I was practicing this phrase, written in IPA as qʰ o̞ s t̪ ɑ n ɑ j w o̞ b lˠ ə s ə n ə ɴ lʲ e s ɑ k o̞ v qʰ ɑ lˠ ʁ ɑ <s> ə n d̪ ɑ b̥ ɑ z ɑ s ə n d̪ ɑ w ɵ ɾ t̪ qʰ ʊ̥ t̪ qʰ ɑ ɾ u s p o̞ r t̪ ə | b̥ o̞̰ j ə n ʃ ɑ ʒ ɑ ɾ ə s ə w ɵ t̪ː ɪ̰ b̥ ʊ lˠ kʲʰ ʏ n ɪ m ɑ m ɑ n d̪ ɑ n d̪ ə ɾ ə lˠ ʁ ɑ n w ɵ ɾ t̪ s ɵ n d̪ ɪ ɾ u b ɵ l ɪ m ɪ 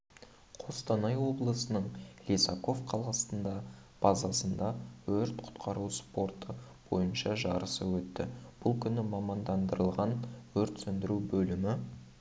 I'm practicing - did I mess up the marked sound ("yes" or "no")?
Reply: no